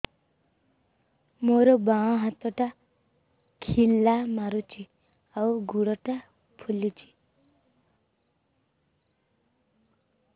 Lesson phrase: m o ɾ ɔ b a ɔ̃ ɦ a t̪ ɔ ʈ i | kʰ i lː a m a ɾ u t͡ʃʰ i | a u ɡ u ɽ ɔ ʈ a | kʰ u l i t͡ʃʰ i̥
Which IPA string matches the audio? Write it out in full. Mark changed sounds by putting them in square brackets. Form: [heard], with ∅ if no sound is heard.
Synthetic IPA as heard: m o ɾ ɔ b a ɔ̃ ɦ a t̪ ɔ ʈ [a] | kʰ i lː a m a ɾ u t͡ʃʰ i | a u ɡ u ɽ ɔ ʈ a | [pʰ] u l i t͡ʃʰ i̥